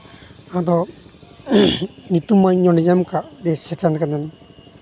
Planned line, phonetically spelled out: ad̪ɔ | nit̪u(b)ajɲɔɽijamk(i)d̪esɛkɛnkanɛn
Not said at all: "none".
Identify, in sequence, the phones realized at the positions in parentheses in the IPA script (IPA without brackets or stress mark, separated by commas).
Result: m, a